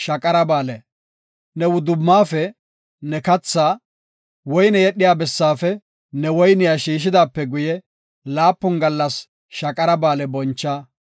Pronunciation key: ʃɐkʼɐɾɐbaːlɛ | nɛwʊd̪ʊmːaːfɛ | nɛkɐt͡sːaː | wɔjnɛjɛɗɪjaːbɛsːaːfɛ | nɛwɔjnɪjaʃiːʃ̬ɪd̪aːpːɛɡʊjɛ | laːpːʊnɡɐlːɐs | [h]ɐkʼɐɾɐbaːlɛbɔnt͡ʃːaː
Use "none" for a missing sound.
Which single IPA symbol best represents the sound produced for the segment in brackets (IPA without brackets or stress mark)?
ʃ